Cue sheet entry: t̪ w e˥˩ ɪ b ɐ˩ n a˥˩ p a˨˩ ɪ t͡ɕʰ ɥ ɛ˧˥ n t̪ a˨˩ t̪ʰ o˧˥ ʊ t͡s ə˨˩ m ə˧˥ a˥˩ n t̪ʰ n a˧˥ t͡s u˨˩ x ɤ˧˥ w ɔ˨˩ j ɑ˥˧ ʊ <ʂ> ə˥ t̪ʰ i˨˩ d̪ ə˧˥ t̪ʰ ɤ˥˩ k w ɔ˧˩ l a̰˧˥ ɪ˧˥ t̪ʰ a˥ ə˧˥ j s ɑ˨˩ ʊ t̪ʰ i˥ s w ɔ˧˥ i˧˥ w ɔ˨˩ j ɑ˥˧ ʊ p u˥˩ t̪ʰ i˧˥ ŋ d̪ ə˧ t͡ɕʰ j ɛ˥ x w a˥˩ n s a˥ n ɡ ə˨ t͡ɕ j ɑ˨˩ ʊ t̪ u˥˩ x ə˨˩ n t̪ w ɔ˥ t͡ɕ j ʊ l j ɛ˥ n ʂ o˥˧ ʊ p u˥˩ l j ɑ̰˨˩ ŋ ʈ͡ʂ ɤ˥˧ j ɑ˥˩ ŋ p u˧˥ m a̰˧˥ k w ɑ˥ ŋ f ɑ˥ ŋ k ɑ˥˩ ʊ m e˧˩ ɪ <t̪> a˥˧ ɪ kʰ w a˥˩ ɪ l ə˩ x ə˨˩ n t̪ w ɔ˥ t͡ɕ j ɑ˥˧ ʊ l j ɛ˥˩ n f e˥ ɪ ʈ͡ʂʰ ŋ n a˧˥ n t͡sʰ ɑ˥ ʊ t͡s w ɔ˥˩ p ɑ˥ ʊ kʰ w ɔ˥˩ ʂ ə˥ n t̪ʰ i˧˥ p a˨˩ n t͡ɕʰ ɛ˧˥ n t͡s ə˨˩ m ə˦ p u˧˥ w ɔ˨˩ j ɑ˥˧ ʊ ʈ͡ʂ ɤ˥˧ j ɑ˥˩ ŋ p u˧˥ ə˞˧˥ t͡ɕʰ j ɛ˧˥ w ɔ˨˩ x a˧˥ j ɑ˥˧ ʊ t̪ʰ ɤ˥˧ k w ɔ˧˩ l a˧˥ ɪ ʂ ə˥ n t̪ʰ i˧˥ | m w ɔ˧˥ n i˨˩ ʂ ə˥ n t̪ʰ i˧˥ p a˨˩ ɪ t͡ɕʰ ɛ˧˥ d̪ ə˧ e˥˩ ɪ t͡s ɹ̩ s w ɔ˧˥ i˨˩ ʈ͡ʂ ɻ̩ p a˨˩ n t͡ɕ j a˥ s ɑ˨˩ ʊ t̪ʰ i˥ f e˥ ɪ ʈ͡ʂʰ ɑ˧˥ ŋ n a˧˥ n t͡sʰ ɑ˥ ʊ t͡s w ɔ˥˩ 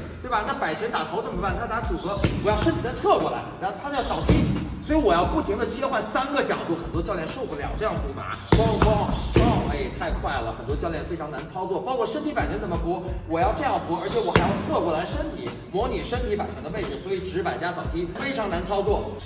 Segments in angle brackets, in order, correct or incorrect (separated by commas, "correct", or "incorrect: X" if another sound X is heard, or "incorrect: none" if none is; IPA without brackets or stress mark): correct, incorrect: t̪ʰ